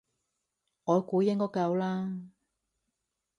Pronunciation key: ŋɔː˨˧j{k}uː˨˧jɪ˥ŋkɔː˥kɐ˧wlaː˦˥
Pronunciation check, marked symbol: correct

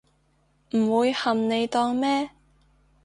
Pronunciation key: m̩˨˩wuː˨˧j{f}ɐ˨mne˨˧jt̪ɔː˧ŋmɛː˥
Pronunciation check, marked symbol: incorrect: h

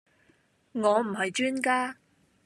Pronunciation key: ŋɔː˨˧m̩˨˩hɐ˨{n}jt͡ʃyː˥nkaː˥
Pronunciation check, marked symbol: incorrect: none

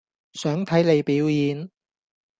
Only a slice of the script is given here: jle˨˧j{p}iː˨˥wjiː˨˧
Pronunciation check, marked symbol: correct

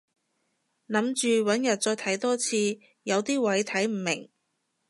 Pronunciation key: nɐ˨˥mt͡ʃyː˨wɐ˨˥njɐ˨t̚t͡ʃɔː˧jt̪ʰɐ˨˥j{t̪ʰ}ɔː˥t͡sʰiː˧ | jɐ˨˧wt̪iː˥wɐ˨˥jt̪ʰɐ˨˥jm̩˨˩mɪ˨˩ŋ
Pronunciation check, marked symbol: incorrect: t̪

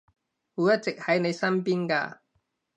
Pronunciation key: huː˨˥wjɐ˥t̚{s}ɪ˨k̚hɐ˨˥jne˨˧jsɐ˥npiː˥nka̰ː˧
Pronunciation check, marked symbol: incorrect: t͡s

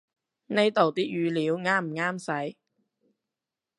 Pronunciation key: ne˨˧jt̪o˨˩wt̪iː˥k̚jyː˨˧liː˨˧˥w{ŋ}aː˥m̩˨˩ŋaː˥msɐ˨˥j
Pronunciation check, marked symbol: correct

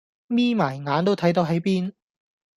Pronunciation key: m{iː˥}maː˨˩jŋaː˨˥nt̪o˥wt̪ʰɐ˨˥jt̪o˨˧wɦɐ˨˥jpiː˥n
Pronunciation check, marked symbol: correct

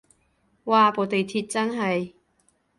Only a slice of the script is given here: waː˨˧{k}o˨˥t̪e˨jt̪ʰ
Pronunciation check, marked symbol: incorrect: p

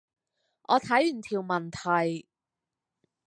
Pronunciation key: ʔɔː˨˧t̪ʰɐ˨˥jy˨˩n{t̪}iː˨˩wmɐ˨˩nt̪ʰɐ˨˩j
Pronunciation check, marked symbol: incorrect: t̪ʰ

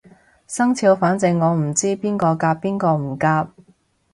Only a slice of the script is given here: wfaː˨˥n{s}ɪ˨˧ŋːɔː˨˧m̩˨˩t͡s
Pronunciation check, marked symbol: incorrect: t͡s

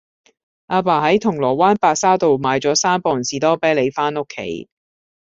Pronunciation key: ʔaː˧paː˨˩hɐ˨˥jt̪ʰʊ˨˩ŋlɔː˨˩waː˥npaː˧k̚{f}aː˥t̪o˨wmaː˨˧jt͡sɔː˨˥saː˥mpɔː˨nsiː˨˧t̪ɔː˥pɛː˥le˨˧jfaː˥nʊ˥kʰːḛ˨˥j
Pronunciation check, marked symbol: incorrect: s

